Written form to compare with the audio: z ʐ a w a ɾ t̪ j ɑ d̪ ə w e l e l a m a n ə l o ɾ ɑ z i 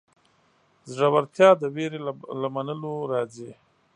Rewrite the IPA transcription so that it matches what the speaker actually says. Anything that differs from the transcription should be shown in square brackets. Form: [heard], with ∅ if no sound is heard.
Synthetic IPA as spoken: z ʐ a w a ɾ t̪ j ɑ d̪ ə w e [ɾ] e l a m a n ə l o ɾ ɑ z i